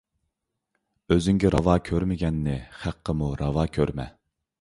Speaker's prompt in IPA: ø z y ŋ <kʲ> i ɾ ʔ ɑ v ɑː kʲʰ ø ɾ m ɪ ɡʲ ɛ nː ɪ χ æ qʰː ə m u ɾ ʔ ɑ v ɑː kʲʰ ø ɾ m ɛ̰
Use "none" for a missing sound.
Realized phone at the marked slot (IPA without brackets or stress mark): ɡʲ